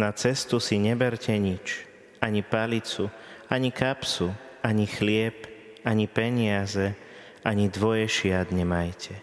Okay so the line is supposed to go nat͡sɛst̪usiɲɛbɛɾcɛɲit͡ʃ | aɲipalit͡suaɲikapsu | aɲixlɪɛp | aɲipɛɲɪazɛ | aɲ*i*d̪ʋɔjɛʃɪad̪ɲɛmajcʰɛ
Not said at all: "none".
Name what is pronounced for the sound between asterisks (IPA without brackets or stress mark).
i